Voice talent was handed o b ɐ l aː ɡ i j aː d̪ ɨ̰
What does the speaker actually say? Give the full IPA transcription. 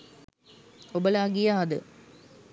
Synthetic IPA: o b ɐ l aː ɡ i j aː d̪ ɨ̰